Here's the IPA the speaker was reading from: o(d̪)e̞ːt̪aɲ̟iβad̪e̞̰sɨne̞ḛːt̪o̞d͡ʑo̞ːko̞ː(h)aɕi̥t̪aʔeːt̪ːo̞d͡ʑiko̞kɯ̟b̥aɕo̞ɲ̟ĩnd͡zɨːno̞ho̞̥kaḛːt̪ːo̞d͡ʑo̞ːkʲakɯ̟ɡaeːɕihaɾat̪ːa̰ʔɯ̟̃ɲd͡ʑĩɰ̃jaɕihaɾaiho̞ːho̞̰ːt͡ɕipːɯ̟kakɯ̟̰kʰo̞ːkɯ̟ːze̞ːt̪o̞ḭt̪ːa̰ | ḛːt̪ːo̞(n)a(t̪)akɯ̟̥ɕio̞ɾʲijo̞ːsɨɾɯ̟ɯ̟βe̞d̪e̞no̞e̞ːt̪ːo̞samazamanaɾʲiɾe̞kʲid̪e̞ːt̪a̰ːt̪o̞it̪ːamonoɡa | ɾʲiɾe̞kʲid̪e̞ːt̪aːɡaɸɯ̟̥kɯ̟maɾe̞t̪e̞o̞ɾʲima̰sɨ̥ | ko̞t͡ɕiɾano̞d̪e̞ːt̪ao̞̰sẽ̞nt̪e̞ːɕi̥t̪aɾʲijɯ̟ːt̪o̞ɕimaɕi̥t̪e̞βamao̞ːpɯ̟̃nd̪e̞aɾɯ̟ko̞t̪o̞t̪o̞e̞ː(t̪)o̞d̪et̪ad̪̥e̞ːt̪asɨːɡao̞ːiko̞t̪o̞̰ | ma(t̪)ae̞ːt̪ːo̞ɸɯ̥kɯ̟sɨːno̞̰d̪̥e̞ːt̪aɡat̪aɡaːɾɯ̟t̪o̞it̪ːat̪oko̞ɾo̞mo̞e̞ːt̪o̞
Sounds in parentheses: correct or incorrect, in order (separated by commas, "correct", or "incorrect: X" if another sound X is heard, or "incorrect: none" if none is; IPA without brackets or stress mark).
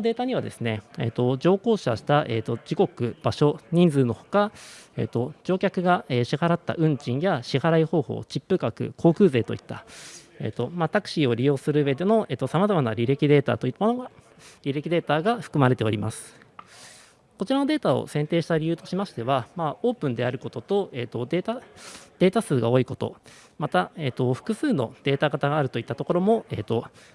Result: correct, incorrect: ɕ, incorrect: m, correct, correct, correct